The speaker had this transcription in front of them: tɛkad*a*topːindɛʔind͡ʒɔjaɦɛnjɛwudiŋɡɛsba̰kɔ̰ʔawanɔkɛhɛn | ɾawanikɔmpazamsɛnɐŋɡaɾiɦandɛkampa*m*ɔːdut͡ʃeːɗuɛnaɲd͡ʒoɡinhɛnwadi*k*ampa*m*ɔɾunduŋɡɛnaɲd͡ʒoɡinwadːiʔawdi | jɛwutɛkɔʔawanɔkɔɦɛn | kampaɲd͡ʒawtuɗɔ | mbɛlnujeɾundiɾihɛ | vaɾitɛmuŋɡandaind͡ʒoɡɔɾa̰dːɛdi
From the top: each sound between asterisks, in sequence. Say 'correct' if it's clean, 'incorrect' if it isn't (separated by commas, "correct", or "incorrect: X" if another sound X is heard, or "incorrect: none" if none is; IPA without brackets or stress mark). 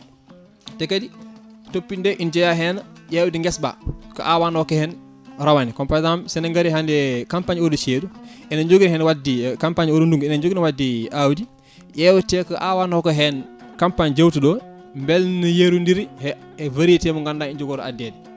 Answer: incorrect: i, incorrect: ɲ, correct, incorrect: ɲ